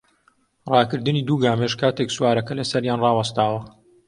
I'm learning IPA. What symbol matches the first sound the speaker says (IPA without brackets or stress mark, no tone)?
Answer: r